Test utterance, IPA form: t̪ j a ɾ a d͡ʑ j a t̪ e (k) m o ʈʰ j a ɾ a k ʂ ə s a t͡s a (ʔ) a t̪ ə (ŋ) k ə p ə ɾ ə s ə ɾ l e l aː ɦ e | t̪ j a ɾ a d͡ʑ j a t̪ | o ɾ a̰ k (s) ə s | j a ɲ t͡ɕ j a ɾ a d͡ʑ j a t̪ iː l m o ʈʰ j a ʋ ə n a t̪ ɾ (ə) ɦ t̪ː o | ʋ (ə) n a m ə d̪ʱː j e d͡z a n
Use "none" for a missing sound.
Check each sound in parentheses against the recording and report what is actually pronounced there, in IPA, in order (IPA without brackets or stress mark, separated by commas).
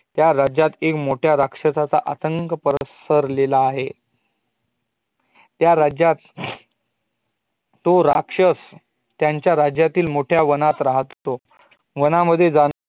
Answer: k, ʔ, ŋ, ʂ, a, ə